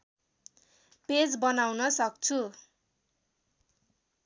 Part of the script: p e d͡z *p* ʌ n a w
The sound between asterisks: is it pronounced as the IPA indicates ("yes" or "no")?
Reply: no